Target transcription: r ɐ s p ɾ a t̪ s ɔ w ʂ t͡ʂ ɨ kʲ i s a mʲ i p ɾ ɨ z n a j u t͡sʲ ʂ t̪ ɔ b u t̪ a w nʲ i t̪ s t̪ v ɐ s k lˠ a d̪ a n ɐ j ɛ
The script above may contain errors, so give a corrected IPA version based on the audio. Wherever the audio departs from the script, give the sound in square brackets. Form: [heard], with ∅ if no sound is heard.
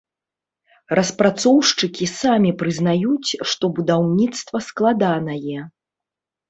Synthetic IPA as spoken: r ɐ s p ɾ a t̪ s ɔ w ʂ t͡ʂ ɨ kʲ i s a mʲ i p ɾ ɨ z n a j u t͡sʲ ʂ t̪ ɔ b u [d̪] a w nʲ i t̪ s t̪ v ɐ s k lˠ a d̪ a n ɐ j ɛ